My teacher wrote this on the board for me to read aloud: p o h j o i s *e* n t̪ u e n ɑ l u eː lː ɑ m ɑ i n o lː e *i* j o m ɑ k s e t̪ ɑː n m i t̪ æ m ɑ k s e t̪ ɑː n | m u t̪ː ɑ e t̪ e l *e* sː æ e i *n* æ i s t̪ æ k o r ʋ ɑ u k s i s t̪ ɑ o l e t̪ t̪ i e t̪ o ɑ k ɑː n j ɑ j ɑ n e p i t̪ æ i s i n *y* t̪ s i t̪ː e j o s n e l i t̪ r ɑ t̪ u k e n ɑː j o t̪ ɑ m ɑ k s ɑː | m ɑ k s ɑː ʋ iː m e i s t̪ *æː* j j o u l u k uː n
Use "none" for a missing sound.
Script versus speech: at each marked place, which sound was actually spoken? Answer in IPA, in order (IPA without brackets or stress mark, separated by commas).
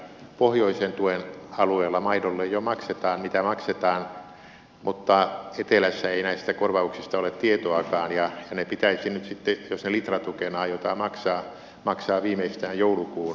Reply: e, j, æ, n, y, æː